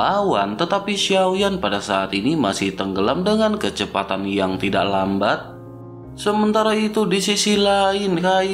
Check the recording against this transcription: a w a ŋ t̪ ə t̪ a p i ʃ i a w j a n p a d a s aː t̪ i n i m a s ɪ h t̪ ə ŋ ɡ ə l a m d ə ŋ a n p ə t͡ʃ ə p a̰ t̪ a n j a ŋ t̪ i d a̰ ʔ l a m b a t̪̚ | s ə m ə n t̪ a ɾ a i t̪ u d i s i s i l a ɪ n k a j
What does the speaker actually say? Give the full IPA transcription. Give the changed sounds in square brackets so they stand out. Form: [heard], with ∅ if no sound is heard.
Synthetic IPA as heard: a w a [n] t̪ ə t̪ a p i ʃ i a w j a n p a d a s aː t̪ i n i m a s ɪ h t̪ ə ŋ ɡ ə l a m d ə ŋ a n [k] ə t͡ʃ ə p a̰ t̪ a n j a ŋ t̪ i d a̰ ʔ l a m b a t̪̚ | s ə m ə n t̪ a ɾ a i t̪ u d i s i s i l a ɪ n k a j